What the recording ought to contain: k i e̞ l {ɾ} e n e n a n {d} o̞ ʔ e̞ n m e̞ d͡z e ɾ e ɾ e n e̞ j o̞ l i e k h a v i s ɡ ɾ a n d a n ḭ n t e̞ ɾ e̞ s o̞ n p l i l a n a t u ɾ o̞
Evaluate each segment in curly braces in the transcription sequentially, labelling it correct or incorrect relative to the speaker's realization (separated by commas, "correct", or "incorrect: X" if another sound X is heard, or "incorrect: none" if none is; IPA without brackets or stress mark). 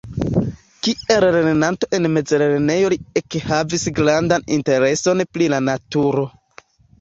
correct, incorrect: t